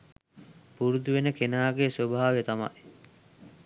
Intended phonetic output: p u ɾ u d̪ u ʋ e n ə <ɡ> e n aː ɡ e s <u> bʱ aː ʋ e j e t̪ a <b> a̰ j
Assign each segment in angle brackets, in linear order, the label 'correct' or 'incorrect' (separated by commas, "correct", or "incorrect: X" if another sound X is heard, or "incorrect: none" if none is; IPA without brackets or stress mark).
incorrect: k, incorrect: o, incorrect: m